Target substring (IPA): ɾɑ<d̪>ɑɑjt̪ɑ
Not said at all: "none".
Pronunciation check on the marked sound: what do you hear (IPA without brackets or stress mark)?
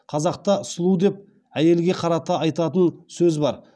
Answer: t̪